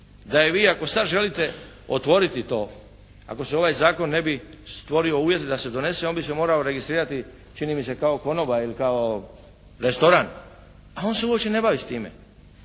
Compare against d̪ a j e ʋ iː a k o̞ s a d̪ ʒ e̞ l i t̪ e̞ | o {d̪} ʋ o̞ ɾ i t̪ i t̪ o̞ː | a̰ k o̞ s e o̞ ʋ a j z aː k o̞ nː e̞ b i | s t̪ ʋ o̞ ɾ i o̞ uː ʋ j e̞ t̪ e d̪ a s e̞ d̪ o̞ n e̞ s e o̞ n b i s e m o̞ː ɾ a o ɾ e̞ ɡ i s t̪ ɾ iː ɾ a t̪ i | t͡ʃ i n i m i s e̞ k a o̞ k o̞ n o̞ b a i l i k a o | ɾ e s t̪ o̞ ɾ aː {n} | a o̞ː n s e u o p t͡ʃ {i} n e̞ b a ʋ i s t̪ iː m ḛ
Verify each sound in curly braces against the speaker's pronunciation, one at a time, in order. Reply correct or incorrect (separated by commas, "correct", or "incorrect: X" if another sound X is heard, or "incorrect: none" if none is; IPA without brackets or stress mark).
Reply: incorrect: t̪, correct, incorrect: e